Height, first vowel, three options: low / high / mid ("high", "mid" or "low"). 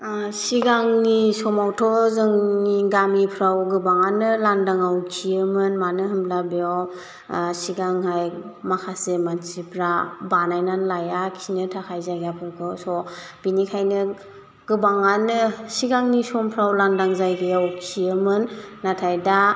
high